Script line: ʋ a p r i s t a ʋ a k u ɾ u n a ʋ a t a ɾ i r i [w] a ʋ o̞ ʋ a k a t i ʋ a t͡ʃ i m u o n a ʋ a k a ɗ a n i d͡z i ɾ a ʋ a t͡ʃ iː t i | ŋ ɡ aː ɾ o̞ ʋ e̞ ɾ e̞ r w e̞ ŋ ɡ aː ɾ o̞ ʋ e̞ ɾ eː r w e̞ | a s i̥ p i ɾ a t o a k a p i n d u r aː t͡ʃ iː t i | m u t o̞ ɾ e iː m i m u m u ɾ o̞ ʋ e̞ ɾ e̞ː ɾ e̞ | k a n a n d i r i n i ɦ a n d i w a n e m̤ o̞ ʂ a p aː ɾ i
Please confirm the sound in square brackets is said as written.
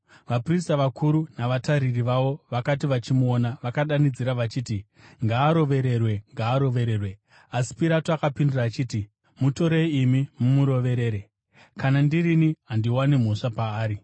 no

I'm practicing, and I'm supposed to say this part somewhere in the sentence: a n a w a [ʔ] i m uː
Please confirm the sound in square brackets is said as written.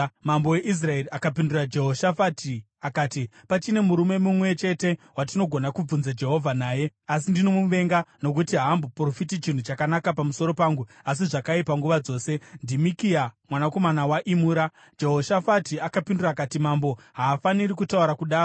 yes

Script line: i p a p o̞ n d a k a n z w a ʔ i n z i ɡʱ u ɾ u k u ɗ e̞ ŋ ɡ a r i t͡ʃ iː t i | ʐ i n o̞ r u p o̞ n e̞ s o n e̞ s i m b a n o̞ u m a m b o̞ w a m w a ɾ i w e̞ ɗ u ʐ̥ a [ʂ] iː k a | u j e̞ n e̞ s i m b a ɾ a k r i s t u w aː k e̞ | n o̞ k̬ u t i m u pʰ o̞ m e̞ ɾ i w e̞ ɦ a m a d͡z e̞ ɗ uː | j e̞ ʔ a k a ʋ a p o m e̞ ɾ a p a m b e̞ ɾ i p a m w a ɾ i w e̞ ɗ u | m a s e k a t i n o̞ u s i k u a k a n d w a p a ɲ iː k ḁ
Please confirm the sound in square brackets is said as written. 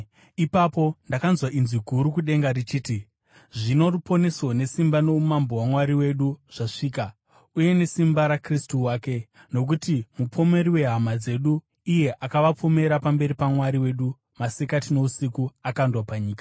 yes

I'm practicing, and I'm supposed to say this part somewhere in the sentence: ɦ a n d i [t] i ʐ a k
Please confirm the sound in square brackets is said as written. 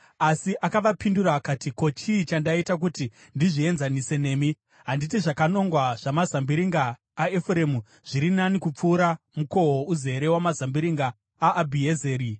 yes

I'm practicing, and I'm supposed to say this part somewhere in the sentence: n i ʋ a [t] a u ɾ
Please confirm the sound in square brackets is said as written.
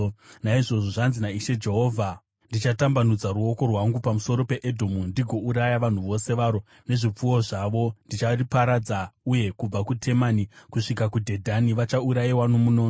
no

